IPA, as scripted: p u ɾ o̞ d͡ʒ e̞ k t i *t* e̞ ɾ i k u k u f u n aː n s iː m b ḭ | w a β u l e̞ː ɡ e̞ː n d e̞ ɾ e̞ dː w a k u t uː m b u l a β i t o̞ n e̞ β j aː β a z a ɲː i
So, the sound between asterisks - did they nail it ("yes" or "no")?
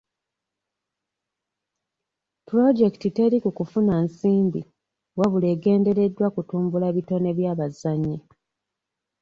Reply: yes